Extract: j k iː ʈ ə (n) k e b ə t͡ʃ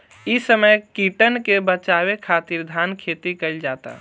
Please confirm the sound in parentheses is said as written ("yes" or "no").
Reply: yes